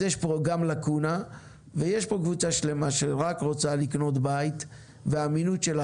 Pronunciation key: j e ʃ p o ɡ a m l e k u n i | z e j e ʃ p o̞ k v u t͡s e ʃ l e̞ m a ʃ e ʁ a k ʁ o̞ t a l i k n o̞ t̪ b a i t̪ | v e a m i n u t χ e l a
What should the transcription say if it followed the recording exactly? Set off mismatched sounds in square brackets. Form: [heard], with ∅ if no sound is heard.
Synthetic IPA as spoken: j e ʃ p o ɡ a m l [a] k u n [a] | [v] e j e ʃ p o̞ k v u t͡s [a] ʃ l e̞ m a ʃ e ʁ a k ʁ o̞ [t͡s] a l i k n o̞ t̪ b a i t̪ | v e a m i n u t [ʃ] e l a